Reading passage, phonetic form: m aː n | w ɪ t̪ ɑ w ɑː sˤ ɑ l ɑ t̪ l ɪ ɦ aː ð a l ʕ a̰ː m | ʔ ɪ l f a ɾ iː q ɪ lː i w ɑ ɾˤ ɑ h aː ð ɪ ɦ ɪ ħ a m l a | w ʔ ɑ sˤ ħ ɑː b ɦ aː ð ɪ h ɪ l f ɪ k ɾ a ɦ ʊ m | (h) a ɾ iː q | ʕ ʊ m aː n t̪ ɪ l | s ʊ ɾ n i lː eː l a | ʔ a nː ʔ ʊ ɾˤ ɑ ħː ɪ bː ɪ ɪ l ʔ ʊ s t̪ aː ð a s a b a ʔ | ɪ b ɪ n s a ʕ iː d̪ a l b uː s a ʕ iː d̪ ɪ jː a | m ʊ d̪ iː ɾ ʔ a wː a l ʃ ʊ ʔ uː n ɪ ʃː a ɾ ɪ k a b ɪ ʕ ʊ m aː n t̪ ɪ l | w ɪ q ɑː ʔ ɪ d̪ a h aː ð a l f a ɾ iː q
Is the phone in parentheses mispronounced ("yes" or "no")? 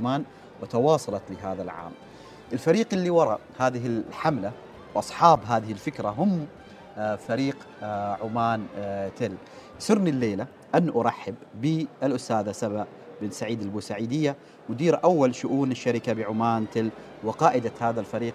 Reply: yes